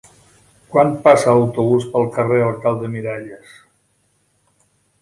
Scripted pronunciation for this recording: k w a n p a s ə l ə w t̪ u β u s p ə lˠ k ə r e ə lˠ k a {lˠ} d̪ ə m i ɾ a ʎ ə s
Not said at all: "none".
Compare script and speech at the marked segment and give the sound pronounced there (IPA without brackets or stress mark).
lˠ